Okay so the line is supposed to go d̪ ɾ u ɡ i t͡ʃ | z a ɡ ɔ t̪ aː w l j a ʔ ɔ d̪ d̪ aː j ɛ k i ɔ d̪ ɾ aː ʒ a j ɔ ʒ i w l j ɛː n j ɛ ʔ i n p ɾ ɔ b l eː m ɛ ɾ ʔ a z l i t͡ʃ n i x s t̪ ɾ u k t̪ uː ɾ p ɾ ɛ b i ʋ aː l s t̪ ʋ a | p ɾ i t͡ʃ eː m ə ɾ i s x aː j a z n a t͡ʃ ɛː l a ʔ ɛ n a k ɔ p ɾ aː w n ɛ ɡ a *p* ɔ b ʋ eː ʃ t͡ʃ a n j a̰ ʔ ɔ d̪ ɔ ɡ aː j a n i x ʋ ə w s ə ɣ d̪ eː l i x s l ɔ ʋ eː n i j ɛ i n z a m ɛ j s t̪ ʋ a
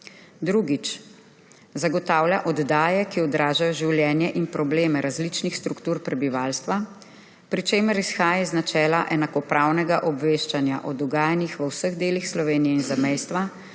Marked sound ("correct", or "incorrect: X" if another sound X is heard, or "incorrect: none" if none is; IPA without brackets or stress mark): incorrect: ʔ